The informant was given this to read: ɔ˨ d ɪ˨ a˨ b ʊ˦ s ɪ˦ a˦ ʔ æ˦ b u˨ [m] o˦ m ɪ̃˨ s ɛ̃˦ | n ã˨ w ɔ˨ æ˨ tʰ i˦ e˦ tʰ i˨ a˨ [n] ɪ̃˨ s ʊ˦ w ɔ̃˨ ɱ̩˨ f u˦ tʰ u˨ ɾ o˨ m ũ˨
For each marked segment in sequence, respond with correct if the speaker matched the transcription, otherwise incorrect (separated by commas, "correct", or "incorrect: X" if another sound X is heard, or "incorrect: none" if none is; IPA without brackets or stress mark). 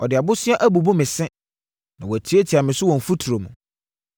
incorrect: b, incorrect: m